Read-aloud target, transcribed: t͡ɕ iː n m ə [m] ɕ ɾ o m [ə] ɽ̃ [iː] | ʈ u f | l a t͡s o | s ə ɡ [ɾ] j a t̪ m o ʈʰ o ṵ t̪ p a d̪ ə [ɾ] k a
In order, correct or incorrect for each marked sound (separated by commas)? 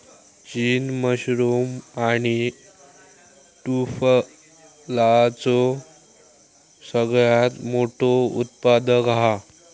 incorrect, incorrect, incorrect, incorrect, incorrect